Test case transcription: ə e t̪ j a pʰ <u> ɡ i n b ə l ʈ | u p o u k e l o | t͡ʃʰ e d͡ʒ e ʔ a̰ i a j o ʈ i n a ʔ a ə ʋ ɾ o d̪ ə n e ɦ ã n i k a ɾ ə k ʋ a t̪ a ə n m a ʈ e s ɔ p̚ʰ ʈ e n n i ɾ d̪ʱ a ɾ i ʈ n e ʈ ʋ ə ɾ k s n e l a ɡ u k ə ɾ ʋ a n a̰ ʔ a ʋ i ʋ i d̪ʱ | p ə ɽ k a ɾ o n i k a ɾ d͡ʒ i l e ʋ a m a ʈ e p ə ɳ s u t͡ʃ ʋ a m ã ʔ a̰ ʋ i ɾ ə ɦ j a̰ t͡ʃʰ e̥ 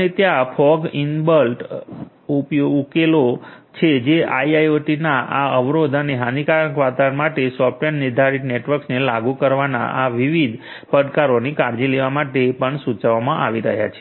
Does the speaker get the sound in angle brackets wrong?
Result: yes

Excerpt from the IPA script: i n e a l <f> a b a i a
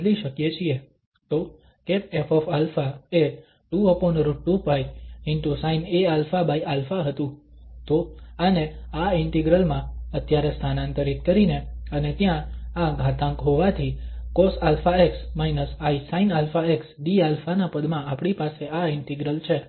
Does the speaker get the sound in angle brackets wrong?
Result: no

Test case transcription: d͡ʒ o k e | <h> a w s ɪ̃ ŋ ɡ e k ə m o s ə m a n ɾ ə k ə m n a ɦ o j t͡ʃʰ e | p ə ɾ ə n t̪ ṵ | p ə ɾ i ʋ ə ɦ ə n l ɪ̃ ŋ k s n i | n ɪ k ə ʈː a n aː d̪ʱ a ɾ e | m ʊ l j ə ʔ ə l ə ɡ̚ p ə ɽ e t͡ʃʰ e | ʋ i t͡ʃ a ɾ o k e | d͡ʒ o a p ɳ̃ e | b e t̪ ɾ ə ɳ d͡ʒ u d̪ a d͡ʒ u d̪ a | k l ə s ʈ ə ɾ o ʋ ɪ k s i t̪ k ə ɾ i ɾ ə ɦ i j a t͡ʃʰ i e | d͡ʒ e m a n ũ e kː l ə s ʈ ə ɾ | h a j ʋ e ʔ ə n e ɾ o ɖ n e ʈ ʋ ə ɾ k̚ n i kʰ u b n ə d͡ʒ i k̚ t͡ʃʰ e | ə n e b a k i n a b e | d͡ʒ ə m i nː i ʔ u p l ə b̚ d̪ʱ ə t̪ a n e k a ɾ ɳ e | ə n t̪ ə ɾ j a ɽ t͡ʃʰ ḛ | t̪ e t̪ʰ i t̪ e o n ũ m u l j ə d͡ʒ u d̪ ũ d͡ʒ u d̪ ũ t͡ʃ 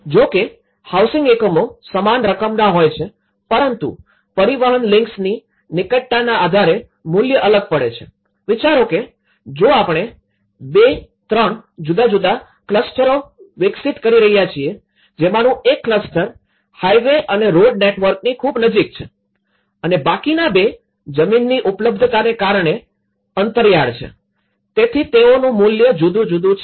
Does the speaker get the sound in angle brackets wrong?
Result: no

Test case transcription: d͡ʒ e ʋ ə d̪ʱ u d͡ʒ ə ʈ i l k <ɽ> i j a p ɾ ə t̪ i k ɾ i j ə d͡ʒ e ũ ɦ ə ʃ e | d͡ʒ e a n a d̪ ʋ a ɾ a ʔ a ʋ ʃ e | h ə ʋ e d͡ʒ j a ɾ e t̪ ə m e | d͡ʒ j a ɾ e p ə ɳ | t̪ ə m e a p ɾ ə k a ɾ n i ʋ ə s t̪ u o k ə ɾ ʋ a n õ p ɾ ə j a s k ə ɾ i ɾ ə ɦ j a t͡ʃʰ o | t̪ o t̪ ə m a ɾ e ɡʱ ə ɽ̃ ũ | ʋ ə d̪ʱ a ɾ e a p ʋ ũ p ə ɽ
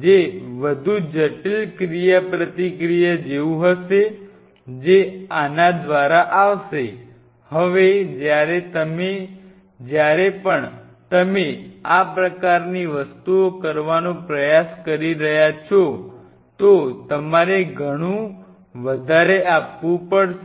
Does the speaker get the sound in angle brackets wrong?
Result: yes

